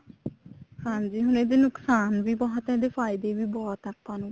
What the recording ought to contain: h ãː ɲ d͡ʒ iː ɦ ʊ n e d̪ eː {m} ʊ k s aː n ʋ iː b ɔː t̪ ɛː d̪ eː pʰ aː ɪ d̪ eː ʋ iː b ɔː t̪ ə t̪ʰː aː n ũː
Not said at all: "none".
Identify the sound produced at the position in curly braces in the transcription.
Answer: n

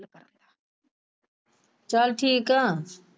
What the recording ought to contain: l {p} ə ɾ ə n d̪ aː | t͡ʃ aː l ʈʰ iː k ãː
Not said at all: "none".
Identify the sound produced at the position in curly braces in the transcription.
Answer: k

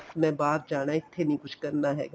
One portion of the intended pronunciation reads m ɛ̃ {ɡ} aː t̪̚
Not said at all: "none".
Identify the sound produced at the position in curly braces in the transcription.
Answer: b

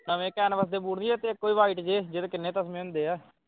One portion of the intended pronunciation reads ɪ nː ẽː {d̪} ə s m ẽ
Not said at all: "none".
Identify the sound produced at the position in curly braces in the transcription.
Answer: t̪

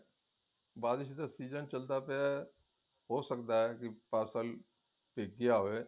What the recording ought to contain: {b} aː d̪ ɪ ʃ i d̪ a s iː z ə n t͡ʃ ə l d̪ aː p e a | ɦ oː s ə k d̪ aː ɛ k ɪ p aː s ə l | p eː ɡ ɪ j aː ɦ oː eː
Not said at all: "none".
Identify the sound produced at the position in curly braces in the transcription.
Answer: b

